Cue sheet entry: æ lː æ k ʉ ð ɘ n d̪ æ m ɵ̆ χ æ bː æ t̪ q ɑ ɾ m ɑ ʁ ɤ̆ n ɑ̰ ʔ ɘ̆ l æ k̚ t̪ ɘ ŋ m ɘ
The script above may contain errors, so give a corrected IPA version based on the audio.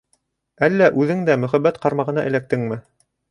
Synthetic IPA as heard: æ lː æ ʔ ʉ ð ɘ ŋ d̪ æ m ɵ̆ χ æ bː æ t̪ q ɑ ɾ m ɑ ʁ ɤ̆ n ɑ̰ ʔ ɘ̆ l æ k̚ t̪ ɘ ŋ m ɘ